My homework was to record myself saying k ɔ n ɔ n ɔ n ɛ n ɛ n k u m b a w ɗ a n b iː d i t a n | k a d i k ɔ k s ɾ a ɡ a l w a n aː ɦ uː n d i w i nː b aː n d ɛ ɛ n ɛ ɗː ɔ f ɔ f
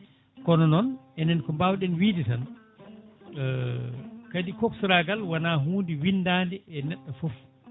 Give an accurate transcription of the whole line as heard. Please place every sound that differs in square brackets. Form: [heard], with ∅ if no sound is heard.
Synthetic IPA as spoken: k ɔ n ɔ n ɔ n ɛ n ɛ n k [ɔ] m b a w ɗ [ɛ] n [w] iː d i t a n | k a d i k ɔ k s ɾ a ɡ a l w a n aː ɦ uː n d i w i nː [d] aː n d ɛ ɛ n ɛ ɗː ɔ f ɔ f